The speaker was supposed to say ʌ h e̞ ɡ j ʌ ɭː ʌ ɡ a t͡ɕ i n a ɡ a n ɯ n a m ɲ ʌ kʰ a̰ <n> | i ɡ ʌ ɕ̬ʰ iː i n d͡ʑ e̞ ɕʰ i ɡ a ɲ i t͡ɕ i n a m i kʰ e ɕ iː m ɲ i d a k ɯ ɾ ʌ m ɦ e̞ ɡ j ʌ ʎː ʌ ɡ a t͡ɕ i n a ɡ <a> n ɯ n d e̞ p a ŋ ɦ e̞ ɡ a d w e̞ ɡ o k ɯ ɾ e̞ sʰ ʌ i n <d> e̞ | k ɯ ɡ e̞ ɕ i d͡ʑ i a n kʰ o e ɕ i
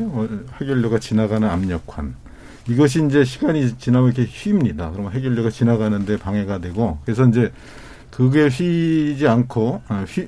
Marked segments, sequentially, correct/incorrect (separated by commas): correct, correct, incorrect